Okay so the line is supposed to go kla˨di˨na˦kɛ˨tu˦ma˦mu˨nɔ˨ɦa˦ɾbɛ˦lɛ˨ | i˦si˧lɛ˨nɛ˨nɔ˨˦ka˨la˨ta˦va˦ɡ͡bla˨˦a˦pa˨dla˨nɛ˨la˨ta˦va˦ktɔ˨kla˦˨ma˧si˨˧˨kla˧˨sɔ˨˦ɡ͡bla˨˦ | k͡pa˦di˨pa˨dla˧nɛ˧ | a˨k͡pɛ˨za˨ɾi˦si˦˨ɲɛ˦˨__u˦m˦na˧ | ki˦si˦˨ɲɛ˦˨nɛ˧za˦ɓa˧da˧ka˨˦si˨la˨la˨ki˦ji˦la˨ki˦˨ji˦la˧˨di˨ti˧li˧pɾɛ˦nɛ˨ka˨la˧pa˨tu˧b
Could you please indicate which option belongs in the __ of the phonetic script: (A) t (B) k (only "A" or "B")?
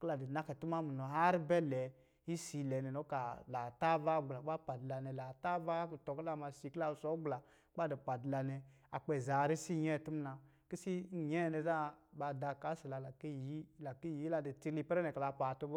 A